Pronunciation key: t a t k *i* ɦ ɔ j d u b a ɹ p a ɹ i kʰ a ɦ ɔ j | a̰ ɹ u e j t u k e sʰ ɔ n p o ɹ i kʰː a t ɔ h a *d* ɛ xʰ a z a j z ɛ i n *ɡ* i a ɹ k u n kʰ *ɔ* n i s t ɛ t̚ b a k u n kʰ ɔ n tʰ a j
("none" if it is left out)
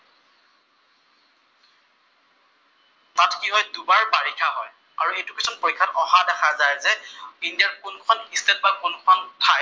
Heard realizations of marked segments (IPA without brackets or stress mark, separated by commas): i, d, d, ɔ